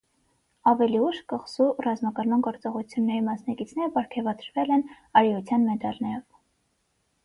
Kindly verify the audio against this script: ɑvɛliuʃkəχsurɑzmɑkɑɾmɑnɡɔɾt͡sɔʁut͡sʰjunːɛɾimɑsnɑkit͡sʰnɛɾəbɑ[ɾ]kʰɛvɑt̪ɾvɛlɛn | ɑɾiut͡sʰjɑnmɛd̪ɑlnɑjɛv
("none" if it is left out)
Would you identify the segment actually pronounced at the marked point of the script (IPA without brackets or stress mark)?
ɾ